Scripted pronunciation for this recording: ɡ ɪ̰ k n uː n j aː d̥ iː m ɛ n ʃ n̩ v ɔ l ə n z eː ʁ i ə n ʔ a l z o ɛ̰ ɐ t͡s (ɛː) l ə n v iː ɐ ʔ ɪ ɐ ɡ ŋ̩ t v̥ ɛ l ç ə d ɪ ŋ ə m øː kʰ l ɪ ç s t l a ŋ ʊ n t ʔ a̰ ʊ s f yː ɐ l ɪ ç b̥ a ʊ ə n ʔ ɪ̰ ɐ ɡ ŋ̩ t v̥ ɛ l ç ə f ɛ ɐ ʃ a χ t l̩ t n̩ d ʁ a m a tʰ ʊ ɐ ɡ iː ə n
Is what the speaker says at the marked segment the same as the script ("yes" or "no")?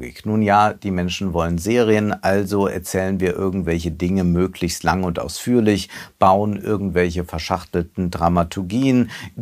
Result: yes